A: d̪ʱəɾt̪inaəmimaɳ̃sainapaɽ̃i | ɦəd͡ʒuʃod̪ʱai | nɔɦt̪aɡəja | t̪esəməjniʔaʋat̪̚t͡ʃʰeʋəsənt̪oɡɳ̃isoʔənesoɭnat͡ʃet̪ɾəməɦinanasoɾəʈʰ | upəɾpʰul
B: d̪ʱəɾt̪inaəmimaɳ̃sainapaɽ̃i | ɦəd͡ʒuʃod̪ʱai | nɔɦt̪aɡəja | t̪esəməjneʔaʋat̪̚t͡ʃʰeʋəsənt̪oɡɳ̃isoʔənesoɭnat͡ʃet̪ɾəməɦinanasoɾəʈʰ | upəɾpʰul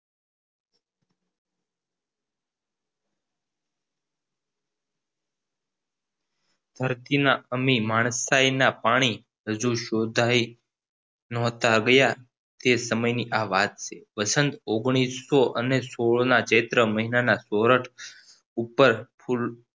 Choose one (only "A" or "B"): A